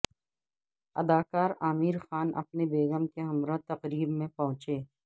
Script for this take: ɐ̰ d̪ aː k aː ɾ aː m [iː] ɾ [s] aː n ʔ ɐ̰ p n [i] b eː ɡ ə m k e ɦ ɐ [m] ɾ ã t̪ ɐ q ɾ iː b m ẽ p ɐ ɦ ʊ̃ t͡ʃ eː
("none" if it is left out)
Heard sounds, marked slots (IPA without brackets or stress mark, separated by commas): iː, x, e, m